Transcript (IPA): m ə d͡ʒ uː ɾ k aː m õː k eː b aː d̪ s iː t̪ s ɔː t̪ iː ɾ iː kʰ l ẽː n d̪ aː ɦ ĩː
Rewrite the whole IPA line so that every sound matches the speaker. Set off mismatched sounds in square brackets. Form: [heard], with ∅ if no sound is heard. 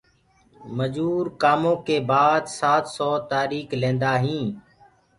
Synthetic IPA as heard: m ə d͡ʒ uː ɾ k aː m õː k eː b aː d̪ s [aː] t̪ s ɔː t̪ [aː] ɾ iː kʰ l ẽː n d̪ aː ɦ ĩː